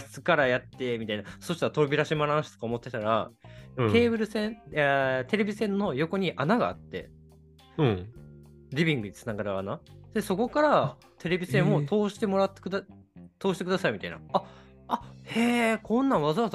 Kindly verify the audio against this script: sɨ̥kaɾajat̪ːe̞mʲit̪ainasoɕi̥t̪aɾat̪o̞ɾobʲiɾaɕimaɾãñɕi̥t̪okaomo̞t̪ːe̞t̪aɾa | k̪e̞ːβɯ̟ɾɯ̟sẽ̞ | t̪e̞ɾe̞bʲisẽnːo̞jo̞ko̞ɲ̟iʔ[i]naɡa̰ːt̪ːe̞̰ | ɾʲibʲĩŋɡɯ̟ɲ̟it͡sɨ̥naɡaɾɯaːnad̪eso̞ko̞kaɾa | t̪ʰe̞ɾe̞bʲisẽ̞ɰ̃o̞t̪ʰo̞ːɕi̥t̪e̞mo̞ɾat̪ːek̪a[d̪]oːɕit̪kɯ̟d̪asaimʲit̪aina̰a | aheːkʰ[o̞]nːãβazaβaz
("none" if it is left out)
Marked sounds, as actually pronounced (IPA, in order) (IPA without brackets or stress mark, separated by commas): a, t̪, õ̞